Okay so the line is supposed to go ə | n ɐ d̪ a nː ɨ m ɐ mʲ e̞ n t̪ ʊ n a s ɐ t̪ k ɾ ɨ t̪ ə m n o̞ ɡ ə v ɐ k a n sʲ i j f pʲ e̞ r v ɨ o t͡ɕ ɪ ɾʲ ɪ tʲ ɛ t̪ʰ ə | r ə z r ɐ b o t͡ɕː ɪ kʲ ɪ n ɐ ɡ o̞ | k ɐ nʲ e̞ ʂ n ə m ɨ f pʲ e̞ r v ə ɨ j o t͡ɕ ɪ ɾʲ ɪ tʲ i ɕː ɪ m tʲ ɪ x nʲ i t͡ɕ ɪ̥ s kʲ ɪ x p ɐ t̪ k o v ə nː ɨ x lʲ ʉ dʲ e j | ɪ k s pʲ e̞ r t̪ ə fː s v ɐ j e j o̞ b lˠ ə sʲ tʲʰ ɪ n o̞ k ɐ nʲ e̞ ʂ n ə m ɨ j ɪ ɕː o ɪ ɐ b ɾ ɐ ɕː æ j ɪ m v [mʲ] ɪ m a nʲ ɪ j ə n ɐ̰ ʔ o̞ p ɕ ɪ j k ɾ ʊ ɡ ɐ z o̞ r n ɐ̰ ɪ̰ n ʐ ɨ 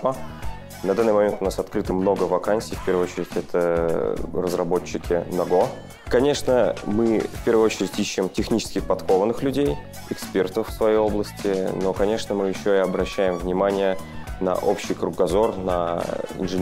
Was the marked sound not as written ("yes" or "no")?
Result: yes